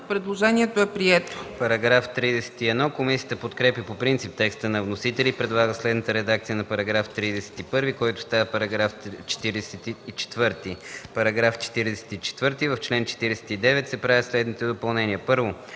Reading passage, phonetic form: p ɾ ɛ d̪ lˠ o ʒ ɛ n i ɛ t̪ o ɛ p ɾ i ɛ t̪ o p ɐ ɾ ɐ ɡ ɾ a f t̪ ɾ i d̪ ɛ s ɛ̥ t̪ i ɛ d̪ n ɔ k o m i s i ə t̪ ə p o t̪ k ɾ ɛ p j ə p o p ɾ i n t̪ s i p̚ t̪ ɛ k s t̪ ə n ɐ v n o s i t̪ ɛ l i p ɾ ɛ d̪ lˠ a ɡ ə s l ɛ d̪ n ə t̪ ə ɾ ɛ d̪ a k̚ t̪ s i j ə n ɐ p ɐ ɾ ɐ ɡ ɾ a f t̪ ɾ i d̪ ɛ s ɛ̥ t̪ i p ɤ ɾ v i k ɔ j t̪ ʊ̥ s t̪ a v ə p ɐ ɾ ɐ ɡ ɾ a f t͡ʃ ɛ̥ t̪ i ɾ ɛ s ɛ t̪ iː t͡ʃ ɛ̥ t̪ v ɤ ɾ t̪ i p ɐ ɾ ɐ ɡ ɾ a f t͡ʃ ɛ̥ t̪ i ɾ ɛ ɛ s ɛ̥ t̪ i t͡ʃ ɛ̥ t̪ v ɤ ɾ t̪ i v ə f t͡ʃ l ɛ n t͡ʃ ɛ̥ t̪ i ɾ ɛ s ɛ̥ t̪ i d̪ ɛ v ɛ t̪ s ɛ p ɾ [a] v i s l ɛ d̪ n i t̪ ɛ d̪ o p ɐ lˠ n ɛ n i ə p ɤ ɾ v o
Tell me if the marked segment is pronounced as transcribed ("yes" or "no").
yes